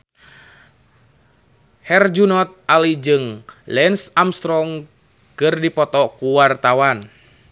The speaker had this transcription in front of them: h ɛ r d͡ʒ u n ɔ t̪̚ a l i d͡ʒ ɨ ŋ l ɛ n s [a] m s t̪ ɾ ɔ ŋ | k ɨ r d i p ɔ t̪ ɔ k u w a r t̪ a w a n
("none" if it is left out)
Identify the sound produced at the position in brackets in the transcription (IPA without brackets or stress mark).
a